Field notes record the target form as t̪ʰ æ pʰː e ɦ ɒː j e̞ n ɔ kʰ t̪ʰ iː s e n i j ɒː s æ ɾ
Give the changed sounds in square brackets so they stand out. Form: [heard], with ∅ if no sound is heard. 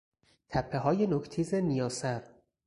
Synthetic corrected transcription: t̪ʰ æ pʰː e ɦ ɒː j e̞ n [o] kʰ t̪ʰ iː [z] e n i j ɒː s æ ɾ